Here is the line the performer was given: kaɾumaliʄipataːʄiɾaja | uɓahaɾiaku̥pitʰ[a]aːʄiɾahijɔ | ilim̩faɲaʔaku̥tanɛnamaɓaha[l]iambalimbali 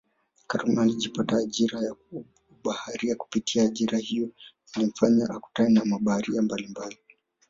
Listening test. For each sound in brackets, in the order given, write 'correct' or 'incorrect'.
incorrect, incorrect

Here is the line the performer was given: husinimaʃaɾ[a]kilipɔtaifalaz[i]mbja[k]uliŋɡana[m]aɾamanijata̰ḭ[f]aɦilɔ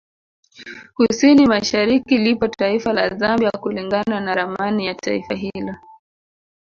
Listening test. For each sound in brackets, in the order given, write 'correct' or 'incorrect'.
incorrect, incorrect, correct, incorrect, correct

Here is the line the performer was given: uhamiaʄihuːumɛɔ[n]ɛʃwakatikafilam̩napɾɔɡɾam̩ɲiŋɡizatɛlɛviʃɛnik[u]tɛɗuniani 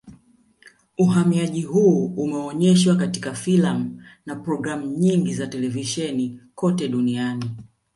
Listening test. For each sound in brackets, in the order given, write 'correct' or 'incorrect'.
incorrect, incorrect

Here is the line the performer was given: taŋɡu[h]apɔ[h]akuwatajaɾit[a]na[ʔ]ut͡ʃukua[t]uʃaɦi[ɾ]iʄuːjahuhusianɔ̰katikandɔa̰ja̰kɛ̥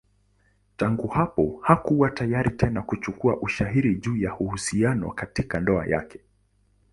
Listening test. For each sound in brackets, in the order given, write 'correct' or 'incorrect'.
correct, correct, incorrect, incorrect, incorrect, correct

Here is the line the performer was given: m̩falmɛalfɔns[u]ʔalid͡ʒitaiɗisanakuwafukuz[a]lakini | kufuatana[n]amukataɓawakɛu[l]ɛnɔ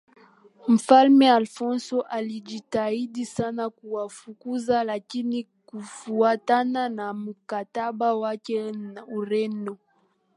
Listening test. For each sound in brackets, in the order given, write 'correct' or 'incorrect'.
incorrect, correct, correct, incorrect

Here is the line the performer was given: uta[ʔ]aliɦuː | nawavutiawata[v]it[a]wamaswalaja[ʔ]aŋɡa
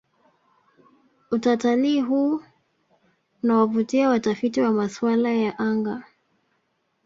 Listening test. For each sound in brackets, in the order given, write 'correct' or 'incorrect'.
incorrect, incorrect, incorrect, correct

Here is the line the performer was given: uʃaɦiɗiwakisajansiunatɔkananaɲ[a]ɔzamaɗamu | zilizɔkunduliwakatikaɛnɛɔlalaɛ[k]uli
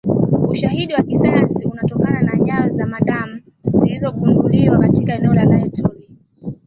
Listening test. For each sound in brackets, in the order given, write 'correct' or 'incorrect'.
correct, incorrect

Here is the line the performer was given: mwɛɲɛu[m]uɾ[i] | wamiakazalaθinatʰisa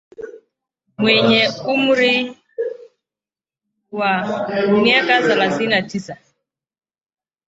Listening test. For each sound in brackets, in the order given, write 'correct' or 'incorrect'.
correct, correct

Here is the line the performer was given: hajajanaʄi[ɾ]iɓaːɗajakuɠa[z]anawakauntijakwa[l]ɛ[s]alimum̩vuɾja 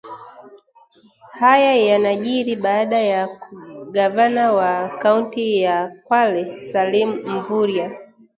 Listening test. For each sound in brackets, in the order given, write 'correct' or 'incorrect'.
correct, incorrect, correct, correct

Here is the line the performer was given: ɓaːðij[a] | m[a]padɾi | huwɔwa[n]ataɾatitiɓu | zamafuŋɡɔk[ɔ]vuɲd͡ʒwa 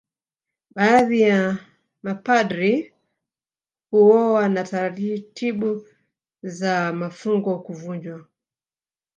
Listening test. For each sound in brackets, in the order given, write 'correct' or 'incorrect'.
correct, correct, correct, incorrect

